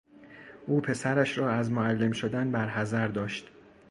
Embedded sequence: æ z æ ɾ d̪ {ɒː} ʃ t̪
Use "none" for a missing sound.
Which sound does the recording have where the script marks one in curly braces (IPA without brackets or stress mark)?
ɒː